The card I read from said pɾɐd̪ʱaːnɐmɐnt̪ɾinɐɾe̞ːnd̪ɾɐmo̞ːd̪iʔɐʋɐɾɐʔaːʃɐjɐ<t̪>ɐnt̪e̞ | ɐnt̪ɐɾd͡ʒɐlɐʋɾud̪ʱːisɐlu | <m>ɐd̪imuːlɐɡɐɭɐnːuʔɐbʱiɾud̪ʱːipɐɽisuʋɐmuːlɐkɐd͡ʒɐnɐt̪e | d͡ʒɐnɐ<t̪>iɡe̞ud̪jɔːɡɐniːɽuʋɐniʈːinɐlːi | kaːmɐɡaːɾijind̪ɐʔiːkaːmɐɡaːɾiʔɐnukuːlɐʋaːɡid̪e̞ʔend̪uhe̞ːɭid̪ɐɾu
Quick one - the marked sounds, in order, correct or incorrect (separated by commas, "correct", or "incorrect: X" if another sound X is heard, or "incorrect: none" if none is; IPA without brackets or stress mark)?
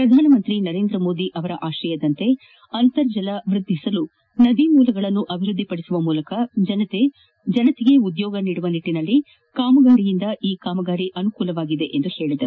incorrect: d̪, incorrect: n, correct